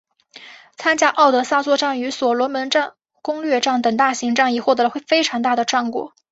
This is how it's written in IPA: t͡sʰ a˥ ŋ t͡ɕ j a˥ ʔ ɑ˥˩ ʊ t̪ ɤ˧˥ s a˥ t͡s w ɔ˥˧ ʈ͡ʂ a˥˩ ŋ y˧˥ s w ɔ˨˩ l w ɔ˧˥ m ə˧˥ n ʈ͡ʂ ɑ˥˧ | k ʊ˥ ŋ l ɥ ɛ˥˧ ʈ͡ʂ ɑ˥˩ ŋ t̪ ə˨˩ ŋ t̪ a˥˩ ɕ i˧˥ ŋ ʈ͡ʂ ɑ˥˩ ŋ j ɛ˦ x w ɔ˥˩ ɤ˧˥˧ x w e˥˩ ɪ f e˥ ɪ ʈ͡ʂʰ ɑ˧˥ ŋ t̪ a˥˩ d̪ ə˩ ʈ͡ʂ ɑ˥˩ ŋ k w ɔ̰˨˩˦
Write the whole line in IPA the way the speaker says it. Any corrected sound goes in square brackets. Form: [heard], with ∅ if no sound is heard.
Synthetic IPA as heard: t͡sʰ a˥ [n] t͡ɕ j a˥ ʔ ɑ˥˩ ʊ t̪ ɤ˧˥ s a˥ t͡s w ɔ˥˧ ʈ͡ʂ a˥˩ ŋ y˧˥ s w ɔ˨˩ l w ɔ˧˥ m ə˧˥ n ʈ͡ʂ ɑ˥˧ | k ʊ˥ ŋ l ɥ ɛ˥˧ ʈ͡ʂ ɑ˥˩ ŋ t̪ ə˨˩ ŋ t̪ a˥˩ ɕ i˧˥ ŋ ʈ͡ʂ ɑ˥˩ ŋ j [ɛ˨˩] x w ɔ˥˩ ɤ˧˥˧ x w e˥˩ ɪ f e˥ ɪ ʈ͡ʂʰ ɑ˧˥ ŋ t̪ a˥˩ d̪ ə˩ ʈ͡ʂ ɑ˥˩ ŋ k w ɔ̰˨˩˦